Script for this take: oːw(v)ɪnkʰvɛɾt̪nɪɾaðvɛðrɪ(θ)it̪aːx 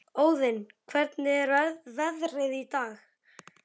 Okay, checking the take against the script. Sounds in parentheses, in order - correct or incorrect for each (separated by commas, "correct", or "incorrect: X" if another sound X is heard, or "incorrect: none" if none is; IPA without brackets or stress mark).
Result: incorrect: ð, incorrect: ð